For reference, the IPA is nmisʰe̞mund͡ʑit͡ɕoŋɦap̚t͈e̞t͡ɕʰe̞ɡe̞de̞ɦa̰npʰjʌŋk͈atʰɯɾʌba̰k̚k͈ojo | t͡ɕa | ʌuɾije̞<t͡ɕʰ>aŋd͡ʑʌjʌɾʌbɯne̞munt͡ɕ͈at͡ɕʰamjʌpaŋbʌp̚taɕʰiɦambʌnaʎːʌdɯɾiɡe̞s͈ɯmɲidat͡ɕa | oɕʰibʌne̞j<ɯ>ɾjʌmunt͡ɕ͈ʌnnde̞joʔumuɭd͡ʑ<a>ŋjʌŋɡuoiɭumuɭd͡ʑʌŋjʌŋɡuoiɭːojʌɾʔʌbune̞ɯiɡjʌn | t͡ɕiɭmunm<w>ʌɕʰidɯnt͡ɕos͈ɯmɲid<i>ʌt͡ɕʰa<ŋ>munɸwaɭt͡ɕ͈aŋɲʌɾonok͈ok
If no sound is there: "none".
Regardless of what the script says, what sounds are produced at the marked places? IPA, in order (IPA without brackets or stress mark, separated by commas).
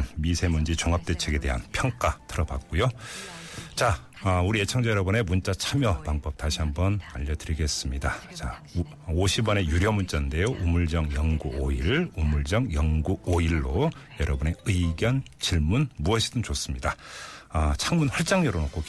t͡ɕʰ, u, ʌ, u, a, ŋ